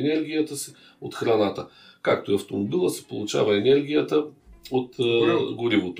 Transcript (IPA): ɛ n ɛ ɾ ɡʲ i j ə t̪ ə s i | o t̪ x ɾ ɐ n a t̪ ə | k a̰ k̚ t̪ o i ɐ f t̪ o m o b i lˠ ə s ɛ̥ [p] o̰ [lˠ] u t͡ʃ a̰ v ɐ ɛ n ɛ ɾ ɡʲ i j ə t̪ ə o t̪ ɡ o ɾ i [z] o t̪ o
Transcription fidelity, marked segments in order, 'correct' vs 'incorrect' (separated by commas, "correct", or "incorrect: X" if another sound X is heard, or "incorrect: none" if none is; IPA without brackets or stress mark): correct, correct, incorrect: v